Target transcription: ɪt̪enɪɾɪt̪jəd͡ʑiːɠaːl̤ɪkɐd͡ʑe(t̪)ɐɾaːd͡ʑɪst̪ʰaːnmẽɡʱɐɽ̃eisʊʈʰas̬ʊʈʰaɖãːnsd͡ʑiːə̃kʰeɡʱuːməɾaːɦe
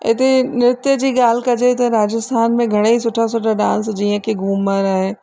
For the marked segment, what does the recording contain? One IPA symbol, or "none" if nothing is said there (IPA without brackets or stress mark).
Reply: t̪